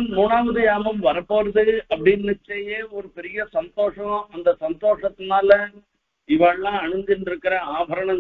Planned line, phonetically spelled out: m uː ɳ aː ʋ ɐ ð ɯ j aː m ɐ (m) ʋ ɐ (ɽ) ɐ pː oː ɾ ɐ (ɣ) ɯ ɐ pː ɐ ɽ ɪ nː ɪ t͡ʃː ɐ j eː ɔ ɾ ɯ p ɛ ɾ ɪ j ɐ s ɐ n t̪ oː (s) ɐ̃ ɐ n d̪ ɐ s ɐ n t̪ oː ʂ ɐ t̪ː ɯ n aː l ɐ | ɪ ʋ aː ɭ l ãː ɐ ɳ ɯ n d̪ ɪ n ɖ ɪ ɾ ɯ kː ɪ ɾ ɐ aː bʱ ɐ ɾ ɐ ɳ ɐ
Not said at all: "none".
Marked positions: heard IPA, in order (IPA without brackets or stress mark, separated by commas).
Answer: m, ɾ, ð, ʂ